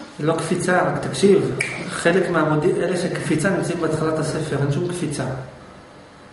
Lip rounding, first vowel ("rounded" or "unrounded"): rounded